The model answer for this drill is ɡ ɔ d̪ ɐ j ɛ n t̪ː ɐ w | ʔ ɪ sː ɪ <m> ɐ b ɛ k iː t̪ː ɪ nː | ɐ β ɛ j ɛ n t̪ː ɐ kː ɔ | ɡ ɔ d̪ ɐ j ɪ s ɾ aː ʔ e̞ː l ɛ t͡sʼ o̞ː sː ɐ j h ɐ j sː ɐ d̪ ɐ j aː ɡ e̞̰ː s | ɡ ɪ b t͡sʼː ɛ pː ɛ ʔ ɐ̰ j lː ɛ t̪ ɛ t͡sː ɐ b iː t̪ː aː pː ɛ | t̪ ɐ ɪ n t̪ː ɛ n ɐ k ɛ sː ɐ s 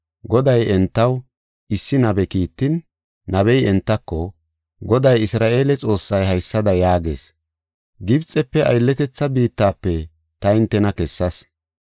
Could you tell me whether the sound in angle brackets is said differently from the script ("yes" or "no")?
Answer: yes